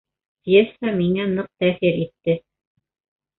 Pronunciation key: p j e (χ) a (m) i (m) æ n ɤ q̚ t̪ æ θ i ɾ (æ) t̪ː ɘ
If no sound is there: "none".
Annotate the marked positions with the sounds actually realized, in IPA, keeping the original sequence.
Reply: s, m, ŋ, i

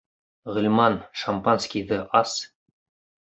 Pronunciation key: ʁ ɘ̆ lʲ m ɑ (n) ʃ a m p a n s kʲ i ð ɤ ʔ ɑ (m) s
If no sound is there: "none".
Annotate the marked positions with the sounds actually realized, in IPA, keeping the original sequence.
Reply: n, none

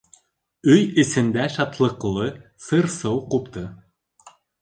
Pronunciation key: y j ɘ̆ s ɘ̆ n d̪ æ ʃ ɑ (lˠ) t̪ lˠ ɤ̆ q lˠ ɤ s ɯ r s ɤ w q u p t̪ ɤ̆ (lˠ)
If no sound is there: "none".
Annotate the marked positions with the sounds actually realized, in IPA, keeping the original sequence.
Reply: none, none

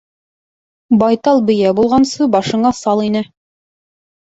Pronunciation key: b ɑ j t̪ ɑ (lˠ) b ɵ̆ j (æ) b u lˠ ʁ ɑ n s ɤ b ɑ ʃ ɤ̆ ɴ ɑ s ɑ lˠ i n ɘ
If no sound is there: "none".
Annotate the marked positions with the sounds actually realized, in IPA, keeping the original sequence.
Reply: lˠ, æ

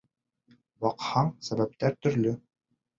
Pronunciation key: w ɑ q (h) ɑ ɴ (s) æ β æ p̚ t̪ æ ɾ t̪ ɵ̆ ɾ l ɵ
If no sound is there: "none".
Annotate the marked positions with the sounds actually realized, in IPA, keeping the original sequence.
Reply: h, s

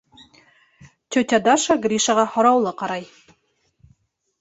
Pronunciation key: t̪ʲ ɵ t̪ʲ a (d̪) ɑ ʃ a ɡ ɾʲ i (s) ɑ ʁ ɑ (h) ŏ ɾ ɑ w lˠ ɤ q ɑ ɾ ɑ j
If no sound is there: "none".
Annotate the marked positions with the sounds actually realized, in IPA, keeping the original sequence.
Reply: d̪, ʃ, h

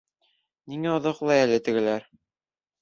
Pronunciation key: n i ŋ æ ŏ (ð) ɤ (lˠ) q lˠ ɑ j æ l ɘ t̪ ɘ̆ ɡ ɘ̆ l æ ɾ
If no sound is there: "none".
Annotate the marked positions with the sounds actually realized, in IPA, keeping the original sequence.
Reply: ð, none

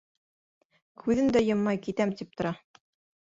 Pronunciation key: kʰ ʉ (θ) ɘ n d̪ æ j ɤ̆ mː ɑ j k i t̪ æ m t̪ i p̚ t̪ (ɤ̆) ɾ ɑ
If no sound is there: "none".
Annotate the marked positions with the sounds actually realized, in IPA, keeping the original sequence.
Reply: ð, ŏ

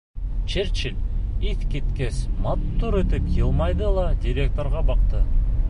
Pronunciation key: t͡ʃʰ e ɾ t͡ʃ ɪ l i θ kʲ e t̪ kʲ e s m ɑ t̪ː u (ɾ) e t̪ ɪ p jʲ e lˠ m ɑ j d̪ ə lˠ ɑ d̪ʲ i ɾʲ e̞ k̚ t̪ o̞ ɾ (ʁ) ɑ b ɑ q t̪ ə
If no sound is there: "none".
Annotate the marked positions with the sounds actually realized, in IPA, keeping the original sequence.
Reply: ɾ, ʁ

